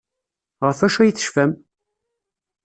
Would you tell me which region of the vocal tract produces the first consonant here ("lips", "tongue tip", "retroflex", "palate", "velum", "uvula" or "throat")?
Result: uvula